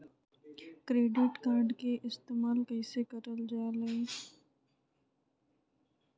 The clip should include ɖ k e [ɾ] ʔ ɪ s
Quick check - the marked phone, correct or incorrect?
incorrect